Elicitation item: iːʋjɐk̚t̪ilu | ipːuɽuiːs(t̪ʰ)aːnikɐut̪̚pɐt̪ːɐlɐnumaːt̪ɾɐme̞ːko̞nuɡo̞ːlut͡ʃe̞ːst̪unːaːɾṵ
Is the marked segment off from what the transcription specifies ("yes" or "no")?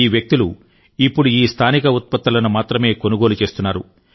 no